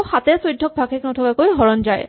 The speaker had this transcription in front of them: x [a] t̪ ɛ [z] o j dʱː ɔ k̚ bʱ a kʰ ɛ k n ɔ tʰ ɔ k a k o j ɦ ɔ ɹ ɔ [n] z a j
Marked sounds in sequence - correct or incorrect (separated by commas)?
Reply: correct, incorrect, correct